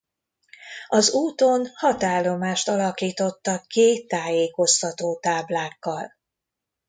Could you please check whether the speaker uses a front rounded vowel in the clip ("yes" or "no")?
no